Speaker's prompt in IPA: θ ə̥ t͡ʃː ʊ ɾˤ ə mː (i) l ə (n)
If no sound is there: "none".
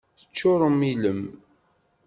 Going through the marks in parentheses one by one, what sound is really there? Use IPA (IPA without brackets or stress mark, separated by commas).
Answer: i, m